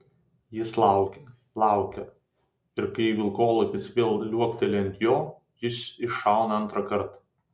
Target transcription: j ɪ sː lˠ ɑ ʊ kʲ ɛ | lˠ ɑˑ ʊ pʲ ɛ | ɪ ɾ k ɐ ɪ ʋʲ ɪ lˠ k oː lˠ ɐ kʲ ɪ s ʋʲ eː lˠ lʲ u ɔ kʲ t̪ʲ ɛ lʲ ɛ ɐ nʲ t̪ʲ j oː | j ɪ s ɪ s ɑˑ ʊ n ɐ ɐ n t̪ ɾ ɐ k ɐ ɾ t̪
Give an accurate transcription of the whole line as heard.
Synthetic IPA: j ɪ s lˠ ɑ ʊ kʲ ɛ | lˠ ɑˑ ʊ kʲ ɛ | ɪ ɾ k ɐ ɪ ʋʲ ɪ lˠ k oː lˠ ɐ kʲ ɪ s ʋʲ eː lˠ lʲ u ɔ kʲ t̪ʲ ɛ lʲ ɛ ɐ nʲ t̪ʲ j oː | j ɪ s ɪ ʃ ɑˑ ʊ n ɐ ɐ n t̪ ɾ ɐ k ɐ ɾ t̪